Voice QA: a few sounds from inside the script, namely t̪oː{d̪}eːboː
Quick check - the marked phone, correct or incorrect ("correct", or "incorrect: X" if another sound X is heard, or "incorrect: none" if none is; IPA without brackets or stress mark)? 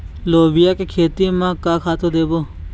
correct